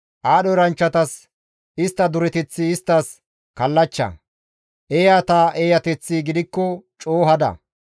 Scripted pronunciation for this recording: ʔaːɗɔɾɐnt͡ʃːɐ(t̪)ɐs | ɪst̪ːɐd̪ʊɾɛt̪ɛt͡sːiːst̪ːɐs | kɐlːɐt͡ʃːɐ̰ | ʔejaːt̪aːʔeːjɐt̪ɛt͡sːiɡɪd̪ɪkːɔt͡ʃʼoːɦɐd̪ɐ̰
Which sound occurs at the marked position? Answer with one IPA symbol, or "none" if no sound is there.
t̪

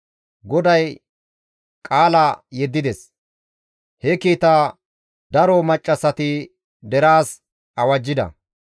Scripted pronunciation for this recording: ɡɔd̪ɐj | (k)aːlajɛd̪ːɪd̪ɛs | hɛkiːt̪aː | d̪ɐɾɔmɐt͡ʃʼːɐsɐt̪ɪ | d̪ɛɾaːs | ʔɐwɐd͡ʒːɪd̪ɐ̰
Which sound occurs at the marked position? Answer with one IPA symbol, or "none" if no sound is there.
kʼ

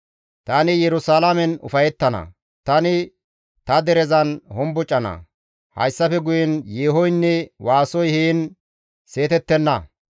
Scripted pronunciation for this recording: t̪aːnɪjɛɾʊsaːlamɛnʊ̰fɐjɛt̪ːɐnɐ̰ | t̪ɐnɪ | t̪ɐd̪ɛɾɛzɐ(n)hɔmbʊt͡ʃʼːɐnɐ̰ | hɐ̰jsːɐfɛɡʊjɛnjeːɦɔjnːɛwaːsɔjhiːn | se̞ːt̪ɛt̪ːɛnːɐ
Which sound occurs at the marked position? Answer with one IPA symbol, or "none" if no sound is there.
n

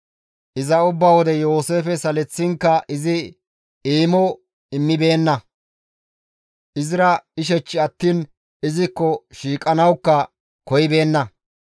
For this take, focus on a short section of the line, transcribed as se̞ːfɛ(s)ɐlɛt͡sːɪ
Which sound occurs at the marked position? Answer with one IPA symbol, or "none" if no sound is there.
s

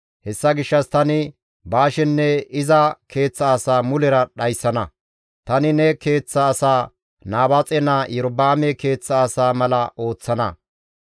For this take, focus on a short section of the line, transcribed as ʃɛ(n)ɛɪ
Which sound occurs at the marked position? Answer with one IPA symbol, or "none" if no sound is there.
nː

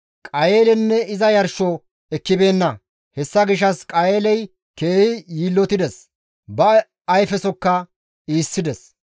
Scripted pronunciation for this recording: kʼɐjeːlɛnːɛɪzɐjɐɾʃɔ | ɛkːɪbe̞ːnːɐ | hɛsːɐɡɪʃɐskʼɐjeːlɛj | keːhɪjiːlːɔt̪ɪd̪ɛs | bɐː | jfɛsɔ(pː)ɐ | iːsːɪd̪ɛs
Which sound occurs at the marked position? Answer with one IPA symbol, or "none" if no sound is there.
kː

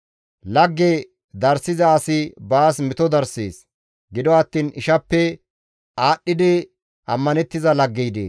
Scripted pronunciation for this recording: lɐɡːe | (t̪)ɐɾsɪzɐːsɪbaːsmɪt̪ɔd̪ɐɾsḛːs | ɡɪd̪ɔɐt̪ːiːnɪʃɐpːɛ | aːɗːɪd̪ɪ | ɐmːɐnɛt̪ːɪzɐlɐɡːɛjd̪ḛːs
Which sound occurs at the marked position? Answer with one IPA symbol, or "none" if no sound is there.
d̪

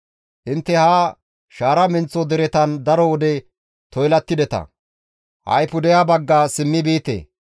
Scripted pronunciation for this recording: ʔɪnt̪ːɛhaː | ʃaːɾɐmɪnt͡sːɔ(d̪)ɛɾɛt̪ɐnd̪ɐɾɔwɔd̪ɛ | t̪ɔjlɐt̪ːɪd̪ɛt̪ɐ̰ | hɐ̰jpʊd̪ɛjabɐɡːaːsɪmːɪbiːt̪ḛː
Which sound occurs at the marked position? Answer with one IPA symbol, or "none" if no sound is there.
d̪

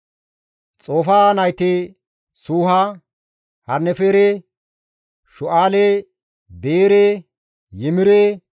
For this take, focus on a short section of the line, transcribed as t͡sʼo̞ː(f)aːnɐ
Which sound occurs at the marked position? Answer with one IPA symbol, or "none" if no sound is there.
f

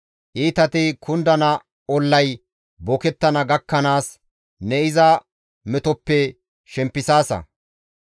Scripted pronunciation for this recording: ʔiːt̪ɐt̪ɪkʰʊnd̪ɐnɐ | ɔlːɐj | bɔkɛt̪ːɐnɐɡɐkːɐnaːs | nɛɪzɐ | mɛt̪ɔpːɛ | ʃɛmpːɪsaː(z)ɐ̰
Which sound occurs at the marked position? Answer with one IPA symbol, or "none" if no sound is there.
s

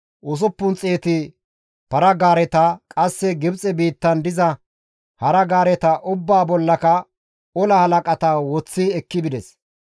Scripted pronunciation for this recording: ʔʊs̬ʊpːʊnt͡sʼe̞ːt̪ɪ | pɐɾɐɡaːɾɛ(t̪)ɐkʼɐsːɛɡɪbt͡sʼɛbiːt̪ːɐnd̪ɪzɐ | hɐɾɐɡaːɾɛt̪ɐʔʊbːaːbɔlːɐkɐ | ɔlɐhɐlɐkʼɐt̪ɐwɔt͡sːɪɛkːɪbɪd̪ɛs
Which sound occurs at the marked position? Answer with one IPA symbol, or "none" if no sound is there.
t̪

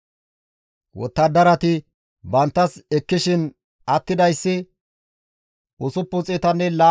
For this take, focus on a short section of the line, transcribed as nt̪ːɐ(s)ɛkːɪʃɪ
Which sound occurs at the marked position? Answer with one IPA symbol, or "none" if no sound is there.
s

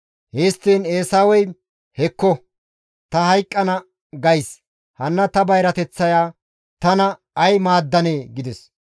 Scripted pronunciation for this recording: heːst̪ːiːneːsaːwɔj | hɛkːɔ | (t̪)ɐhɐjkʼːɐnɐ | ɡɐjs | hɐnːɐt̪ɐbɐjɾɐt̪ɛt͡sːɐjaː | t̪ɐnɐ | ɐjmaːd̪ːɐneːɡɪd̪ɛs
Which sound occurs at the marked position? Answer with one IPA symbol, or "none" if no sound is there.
t̪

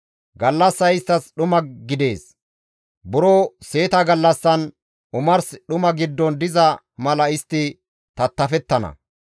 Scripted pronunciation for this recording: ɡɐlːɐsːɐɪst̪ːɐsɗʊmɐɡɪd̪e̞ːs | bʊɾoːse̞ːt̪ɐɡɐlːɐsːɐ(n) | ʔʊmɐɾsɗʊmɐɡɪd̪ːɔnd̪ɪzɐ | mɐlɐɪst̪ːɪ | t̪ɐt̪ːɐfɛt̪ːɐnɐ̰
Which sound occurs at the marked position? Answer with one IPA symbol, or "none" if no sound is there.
n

